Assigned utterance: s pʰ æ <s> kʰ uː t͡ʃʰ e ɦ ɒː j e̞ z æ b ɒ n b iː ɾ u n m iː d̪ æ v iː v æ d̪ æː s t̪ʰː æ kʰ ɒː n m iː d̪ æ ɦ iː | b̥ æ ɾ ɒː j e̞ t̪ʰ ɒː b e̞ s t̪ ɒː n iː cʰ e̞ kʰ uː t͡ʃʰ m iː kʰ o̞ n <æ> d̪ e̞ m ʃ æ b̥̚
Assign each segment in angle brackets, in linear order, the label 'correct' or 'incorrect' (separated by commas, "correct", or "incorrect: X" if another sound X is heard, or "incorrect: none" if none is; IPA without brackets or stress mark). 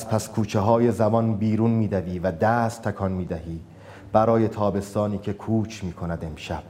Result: correct, correct